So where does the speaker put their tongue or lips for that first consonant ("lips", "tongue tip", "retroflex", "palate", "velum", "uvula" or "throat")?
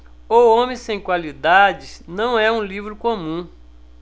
lips